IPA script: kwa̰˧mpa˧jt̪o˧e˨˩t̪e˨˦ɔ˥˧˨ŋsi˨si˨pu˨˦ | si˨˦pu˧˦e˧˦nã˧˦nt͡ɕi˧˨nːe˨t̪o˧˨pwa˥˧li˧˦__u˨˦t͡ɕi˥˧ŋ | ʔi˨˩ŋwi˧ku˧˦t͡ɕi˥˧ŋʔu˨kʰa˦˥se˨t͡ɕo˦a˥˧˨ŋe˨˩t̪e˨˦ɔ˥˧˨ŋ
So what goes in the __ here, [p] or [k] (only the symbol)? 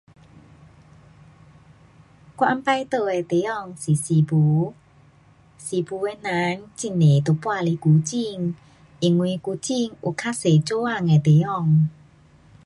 k